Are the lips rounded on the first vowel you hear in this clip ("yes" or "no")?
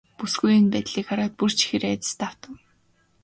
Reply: yes